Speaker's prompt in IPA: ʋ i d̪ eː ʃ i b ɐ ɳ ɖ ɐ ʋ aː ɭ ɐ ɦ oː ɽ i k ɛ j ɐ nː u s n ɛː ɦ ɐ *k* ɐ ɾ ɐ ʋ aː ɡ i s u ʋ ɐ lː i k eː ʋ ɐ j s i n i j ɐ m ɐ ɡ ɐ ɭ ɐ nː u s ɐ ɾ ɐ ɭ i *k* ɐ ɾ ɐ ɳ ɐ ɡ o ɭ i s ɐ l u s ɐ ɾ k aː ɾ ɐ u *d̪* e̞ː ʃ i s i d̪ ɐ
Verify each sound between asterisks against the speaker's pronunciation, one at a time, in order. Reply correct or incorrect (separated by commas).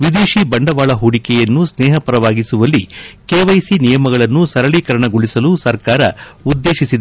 incorrect, correct, incorrect